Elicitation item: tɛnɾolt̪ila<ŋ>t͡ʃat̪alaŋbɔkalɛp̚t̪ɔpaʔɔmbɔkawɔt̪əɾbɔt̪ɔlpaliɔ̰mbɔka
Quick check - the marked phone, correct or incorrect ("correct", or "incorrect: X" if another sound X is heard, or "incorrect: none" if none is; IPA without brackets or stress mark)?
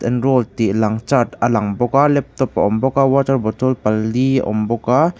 correct